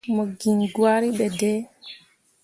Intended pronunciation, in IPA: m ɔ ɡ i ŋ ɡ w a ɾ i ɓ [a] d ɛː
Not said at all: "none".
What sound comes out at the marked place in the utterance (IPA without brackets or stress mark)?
ɛ